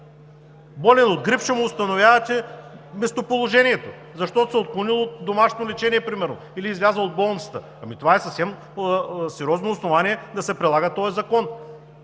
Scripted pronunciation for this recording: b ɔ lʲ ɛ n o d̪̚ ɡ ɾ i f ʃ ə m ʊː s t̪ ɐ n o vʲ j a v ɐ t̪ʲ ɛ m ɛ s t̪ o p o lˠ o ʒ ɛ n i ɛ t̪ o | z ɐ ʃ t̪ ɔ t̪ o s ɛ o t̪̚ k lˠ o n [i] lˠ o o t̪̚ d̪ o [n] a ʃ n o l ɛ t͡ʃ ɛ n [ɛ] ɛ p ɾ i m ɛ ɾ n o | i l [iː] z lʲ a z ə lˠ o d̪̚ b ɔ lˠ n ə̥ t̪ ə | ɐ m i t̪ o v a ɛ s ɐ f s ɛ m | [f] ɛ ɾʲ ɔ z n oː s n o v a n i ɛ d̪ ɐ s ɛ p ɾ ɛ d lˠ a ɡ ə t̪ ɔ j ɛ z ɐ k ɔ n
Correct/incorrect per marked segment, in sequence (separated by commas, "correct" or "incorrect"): correct, incorrect, incorrect, correct, incorrect